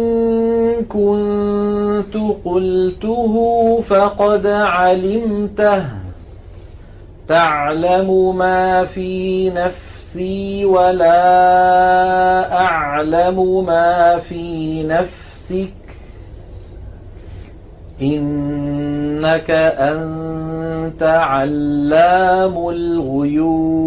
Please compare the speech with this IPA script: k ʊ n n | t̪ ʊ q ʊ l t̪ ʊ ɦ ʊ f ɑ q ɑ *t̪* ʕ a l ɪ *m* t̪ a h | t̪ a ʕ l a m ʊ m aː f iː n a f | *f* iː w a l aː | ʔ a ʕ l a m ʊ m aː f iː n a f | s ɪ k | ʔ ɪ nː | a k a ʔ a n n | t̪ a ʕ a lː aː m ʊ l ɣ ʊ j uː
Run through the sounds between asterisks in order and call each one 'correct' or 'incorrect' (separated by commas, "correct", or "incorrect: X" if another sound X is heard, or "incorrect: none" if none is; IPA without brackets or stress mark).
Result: incorrect: d̪, correct, incorrect: s